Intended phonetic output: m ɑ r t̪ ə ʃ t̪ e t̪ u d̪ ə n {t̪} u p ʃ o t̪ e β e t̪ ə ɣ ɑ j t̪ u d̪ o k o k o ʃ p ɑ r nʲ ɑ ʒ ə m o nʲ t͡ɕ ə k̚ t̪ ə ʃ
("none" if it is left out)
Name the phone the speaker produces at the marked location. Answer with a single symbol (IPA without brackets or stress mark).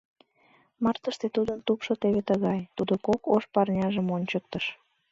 t̪